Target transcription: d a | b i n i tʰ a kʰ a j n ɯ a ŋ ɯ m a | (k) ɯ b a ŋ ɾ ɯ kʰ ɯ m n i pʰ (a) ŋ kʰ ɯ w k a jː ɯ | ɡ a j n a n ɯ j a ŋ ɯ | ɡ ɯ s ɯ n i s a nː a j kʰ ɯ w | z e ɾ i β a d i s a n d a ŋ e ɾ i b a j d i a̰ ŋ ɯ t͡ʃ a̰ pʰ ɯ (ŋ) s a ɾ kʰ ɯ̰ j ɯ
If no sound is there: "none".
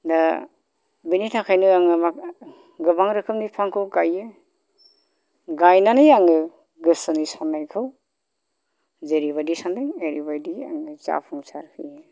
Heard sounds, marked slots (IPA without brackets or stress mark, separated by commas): ɡ, a, ŋ